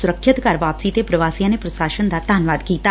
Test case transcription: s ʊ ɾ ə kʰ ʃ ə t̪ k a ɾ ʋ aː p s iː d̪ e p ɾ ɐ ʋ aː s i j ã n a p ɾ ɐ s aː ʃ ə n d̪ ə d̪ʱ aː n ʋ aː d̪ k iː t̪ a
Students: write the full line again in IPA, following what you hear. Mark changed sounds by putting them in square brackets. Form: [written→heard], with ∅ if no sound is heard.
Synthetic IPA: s ʊ ɾ ə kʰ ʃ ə t̪ k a ɾ ʋ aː p s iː [d̪→t̪] e p ɾ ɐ ʋ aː s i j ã n [a→e] p ɾ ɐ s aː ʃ ə n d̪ [ə→a] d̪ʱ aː n ʋ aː d̪ k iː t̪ a